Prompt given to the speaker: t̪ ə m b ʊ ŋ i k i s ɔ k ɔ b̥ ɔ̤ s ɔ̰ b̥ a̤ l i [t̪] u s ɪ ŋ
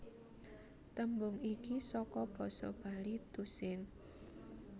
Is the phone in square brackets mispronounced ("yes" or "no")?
no